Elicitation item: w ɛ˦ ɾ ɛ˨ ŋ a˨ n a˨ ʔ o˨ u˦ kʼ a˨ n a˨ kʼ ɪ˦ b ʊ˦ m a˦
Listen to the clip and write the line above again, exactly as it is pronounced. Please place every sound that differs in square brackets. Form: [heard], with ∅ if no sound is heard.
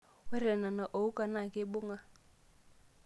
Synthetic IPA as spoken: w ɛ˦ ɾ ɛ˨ [n] a˨ n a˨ ʔ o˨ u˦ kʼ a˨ n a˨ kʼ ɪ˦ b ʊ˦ [ŋ] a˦

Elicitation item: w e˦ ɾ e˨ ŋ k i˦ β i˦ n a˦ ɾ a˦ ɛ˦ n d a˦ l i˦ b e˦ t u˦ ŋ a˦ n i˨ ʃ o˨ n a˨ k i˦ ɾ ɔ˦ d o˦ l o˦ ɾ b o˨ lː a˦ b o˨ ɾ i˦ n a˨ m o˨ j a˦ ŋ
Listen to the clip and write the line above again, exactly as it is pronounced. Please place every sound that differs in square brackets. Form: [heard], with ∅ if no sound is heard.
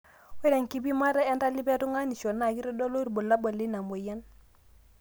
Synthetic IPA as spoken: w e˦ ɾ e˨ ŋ k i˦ [b] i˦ [m] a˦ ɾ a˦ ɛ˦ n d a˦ l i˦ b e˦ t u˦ ŋ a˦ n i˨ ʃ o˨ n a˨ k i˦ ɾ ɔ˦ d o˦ l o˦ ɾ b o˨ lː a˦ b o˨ [l] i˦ n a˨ m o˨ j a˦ [n]

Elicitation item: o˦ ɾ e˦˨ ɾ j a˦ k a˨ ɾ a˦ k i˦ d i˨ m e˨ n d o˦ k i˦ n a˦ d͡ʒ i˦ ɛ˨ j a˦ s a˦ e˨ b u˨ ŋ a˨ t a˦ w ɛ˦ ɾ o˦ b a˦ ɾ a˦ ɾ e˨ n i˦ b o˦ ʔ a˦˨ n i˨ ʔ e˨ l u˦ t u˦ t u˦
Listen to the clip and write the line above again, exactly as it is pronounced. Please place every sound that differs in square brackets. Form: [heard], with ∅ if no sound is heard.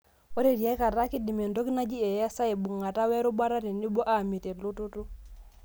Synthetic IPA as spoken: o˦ ɾ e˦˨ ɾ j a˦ k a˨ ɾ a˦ k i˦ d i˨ m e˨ n d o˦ k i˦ n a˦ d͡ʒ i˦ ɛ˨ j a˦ s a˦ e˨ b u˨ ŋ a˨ t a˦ w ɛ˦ ɾ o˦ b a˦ ɾ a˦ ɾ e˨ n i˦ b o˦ ʔ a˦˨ [m] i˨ [t] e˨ l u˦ t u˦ t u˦

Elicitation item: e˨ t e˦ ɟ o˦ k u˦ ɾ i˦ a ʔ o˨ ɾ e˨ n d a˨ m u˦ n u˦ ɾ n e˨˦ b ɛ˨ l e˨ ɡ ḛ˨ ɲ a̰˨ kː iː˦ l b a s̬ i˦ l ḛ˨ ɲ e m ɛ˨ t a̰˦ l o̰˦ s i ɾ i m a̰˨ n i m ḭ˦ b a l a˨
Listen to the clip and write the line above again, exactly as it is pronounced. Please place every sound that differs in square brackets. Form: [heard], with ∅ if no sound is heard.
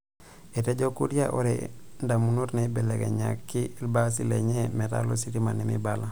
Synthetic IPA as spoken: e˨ t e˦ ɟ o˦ k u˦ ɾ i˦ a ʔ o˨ ɾ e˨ n d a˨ m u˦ n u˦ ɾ n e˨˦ b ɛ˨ l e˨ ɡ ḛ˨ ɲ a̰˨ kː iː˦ l b a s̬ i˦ l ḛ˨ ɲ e m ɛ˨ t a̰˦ l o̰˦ s i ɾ i m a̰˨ n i m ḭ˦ b a l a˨

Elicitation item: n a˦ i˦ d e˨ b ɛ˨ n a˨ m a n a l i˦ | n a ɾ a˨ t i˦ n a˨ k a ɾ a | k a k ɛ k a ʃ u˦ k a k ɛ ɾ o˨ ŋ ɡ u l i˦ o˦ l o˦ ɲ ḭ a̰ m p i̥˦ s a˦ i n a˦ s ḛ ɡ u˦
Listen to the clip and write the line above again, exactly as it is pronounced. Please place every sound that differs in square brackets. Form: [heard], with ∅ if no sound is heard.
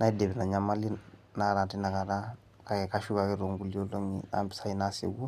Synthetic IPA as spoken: n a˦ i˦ d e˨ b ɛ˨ n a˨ [ɲ] a [m] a l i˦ | n a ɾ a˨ t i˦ n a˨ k a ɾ a | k a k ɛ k a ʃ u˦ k a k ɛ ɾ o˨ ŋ ɡ u l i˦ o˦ l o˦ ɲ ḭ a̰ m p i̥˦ s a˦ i n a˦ s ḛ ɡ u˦

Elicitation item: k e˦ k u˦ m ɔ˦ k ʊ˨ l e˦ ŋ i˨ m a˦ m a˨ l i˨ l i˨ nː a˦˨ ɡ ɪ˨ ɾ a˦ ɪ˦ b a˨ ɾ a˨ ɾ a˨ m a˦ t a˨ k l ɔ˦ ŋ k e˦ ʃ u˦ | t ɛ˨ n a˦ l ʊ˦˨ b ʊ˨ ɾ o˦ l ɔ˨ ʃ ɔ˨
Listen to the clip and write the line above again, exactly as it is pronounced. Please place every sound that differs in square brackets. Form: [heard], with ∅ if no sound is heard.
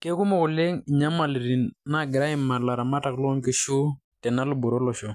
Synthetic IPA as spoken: k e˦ k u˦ m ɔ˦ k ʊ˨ l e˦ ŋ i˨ [ɲ] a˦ m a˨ l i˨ [ɾ] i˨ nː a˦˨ ɡ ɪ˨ ɾ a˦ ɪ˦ [m] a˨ [l] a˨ ɾ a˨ m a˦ t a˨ k l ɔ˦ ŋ k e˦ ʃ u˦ | t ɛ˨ n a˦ l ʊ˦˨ b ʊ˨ ɾ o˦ l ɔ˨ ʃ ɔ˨

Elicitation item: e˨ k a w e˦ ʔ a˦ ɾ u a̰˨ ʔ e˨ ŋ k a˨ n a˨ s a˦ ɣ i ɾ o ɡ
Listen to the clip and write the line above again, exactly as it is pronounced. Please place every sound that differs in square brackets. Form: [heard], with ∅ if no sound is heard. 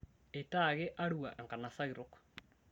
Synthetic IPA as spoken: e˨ [t] a [ɣ] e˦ ʔ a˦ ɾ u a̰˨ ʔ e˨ ŋ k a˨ n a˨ s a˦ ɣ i ɾ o [k]

